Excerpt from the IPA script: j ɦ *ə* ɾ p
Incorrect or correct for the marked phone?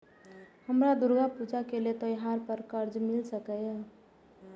incorrect: a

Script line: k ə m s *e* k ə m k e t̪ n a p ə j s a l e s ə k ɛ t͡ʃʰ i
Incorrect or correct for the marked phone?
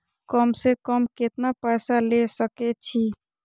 correct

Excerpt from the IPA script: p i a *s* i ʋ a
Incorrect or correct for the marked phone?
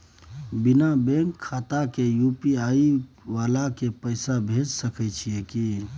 incorrect: none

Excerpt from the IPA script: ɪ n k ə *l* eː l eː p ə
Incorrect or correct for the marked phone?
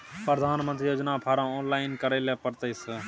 incorrect: ɾ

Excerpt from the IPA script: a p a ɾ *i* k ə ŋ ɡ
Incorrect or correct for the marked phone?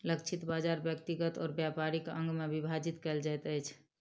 correct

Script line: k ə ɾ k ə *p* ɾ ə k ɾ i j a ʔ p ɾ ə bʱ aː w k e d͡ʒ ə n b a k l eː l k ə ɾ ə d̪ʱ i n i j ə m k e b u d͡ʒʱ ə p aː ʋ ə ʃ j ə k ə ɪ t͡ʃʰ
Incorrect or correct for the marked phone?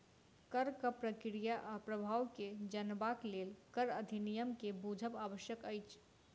correct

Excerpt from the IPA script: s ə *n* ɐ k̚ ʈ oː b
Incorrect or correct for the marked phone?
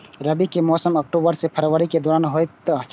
incorrect: m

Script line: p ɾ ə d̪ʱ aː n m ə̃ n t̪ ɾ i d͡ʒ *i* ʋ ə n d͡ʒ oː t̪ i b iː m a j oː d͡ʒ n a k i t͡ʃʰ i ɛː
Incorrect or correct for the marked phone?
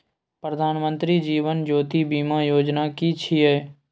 incorrect: iː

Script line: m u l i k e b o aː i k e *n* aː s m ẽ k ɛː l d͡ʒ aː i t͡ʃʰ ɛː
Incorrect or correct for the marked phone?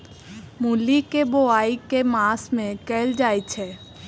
incorrect: m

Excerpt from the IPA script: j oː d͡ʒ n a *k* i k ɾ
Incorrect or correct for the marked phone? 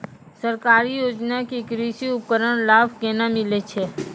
correct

